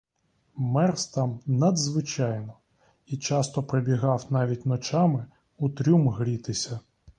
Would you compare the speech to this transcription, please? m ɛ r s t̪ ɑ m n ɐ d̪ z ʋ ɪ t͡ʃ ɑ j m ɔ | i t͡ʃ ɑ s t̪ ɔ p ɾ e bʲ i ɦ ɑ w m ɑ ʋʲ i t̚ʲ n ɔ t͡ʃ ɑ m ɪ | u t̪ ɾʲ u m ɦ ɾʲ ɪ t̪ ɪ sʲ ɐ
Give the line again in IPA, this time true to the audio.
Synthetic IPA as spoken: m ɛ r s t̪ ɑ m n ɐ d̪ z ʋ ɪ t͡ʃ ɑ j n ɔ | i t͡ʃ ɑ s t̪ ɔ p ɾ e bʲ i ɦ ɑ w n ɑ ʋʲ i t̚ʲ n ɔ t͡ʃ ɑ m ɪ | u t̪ ɾʲ u m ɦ ɾʲ i t̪ ɪ sʲ ɐ